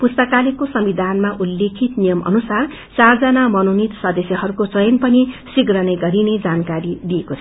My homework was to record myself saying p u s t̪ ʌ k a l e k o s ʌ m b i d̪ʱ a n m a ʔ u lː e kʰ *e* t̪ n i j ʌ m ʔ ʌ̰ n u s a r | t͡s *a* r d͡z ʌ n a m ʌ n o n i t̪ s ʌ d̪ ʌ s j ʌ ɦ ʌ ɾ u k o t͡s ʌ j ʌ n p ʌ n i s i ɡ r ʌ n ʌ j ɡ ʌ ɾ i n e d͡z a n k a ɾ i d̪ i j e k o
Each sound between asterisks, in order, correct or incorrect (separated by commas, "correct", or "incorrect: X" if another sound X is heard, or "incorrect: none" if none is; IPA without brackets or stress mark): incorrect: i, correct